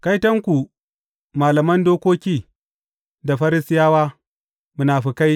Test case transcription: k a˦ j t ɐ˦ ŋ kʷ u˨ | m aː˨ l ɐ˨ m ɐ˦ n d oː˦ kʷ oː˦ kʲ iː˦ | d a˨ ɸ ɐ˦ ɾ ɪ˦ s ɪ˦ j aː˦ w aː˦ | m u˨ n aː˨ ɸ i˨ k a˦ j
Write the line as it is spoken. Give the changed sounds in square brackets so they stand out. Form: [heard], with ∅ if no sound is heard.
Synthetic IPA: k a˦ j t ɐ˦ ŋ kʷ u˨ | m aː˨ l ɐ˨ m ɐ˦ n d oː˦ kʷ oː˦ kʲ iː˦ | d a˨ ɸ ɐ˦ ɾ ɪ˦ s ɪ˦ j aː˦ w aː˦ | m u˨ n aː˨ ɸ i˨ k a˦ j